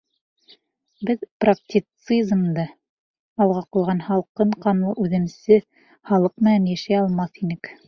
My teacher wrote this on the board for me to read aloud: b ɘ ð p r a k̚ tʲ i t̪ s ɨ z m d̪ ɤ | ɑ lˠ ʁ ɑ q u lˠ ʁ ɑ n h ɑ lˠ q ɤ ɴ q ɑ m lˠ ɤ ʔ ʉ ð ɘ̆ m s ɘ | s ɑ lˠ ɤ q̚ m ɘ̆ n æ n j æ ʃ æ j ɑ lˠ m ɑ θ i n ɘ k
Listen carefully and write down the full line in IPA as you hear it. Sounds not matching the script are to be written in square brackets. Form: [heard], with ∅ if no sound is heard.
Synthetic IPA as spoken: b ɘ ð p r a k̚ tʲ i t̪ s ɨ z m d̪ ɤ | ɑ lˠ ʁ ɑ q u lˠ ʁ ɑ n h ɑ lˠ q ɤ ɴ q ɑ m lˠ ɤ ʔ ʉ ð ɘ̆ m s ɘ | [h] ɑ lˠ ɤ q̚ m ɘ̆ n æ n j æ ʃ æ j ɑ lˠ m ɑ θ i n ɘ k